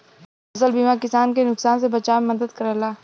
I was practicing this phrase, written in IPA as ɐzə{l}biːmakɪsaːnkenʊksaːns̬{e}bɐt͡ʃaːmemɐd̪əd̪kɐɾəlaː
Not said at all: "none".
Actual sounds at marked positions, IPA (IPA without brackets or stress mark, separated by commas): l, e